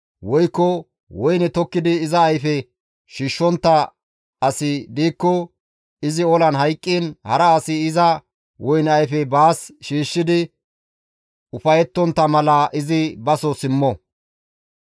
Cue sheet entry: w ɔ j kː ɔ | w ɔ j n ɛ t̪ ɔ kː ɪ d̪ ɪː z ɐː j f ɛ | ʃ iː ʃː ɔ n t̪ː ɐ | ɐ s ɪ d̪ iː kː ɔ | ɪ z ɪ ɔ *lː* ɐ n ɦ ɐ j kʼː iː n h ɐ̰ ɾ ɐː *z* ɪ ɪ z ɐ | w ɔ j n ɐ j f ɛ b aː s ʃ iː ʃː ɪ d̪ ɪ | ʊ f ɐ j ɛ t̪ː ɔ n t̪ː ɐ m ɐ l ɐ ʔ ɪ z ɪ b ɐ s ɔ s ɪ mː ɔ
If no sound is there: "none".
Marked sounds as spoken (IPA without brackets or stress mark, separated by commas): l, s